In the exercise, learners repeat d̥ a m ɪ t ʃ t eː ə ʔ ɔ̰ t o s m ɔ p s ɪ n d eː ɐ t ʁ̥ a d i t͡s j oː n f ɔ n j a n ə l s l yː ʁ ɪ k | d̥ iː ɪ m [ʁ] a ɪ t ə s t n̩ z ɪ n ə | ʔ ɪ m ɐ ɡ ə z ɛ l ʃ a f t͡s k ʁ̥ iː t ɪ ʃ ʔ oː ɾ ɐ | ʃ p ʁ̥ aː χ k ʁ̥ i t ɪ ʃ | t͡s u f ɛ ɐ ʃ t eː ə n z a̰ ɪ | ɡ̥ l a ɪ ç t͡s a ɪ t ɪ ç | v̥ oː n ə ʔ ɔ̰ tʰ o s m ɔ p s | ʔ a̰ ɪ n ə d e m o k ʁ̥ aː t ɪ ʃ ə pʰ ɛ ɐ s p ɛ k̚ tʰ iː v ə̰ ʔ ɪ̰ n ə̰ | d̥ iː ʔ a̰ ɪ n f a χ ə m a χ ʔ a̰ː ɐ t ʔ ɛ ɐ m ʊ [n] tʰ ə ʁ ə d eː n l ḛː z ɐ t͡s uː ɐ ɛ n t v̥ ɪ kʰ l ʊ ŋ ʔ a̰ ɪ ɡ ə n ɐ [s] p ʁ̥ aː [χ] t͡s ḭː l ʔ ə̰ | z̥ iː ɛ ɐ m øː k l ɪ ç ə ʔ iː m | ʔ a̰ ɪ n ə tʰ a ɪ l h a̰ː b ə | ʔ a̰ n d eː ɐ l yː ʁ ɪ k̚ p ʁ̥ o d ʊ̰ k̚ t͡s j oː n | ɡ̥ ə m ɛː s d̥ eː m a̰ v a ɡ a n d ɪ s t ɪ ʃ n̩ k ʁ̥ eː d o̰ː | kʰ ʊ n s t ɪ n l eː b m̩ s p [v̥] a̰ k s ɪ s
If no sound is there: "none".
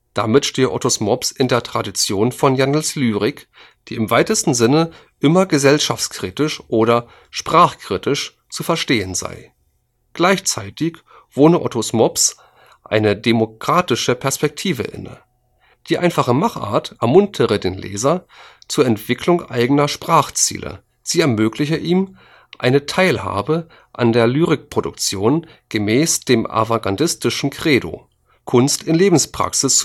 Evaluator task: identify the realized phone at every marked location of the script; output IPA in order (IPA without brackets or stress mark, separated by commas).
v, n, ʃ, χ, ʁ̥